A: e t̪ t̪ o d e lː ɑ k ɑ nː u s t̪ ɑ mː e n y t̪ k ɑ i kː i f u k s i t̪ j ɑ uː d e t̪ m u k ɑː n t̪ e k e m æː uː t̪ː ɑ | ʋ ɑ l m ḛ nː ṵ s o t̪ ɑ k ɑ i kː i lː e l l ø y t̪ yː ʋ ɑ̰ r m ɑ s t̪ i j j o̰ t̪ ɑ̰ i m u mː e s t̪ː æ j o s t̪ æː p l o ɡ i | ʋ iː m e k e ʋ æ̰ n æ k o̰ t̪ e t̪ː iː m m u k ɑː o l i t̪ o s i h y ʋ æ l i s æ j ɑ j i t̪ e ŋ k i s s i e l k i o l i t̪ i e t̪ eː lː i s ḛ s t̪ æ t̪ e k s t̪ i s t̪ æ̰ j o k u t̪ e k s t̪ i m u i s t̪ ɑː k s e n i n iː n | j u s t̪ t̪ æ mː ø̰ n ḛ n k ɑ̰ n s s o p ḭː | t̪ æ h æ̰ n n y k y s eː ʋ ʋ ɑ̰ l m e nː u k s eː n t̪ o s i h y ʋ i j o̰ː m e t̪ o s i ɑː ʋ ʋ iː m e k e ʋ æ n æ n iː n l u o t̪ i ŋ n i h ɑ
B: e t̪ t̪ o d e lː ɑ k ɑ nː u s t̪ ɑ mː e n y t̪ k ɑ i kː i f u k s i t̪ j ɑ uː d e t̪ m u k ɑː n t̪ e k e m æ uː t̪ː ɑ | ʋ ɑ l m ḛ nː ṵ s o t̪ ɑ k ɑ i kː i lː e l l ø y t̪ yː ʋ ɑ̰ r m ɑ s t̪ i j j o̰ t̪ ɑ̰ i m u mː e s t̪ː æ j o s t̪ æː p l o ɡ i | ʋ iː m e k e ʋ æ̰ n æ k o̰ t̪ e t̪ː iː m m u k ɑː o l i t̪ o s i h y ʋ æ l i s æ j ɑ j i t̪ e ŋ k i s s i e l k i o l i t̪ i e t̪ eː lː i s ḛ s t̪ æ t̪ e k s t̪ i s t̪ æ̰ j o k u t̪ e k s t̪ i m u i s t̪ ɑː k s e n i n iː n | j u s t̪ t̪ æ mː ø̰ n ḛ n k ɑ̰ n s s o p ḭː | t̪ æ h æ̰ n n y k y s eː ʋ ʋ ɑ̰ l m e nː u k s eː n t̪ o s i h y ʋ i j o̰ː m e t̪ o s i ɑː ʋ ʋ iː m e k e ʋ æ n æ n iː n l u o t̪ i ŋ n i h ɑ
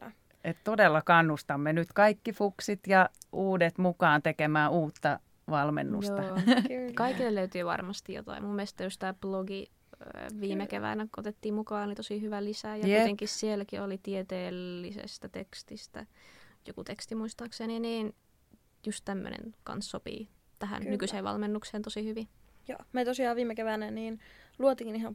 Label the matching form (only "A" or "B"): A